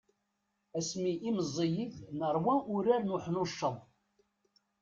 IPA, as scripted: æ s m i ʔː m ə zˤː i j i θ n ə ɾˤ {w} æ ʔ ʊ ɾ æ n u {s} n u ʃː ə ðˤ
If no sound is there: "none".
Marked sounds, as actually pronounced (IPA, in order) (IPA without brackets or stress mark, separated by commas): w, ħ